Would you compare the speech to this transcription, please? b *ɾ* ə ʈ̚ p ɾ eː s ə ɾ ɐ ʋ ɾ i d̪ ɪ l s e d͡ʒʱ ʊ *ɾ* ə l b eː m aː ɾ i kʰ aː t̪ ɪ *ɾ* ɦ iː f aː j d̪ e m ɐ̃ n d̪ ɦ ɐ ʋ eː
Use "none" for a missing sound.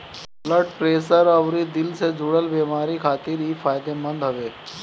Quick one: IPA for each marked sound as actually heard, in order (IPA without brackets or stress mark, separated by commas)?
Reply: l, ɽ, ɾ